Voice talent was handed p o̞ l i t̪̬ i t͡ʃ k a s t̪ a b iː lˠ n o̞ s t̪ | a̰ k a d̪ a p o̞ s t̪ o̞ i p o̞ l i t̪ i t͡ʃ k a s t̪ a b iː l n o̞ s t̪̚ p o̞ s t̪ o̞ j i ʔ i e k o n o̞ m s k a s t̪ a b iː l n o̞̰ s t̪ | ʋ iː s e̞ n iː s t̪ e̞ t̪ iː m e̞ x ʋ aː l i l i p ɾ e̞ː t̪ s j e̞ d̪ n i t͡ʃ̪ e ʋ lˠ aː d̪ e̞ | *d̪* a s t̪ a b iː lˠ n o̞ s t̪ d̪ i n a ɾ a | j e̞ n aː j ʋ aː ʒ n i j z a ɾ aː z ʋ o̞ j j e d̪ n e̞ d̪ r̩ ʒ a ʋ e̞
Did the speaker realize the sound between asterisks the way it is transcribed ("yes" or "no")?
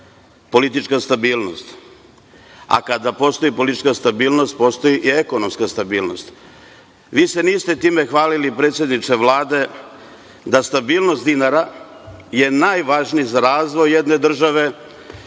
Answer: yes